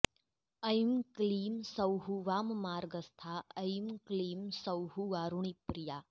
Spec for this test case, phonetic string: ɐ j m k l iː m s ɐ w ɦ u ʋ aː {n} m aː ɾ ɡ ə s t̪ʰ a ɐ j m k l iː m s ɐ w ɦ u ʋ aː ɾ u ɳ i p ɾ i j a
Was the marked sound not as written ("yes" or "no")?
yes